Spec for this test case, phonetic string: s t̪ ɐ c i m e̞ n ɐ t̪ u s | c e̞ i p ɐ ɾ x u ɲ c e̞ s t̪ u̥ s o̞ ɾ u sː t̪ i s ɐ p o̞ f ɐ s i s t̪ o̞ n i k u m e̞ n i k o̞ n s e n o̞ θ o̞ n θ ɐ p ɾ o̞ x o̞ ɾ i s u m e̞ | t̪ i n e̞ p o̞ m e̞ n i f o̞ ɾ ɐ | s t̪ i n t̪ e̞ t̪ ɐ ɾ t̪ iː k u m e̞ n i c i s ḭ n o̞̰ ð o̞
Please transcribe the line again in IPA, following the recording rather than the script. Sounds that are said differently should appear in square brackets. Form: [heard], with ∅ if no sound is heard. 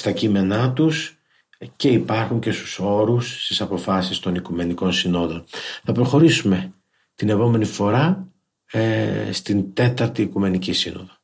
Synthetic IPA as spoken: s t̪ ɐ c i m e̞ n ɐ t̪ u s | c e̞ i p ɐ ɾ x u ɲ c e̞ s t̪ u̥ s o̞ ɾ u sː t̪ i s ɐ p o̞ f ɐ s i s t̪ o̞ n i k u m e̞ n i k o̞ n s [i] n o̞ [ð] o̞ n θ ɐ p ɾ o̞ x o̞ ɾ i s u m e̞ | t̪ i n e̞ p o̞ m e̞ n i f o̞ ɾ ɐ | s t̪ i n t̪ e̞ t̪ ɐ ɾ t̪ iː k u m e̞ n i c i s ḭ n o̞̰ ð o̞